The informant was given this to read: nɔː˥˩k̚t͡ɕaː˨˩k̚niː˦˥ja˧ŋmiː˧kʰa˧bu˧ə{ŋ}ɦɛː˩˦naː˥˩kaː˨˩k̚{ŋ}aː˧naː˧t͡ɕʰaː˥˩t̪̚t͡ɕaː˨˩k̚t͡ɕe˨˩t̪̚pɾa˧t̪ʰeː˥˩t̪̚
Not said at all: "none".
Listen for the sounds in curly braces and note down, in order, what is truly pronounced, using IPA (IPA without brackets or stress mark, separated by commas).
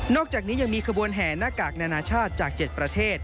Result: n, n